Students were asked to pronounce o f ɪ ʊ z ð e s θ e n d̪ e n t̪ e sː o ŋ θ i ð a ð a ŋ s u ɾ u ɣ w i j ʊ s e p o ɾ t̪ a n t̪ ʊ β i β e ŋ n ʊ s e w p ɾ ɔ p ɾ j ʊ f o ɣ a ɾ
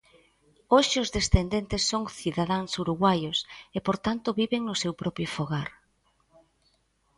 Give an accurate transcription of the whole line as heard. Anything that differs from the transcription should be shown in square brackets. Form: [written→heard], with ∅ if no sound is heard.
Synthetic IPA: o [f→ʃ] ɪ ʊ z ð e s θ e n d̪ e n t̪ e sː o ŋ θ i ð a ð a ŋ s u ɾ u ɣ w [i→a] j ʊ s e p o ɾ t̪ a n t̪ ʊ β i β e ŋ n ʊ s e w p ɾ ɔ p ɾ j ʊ f o ɣ a ɾ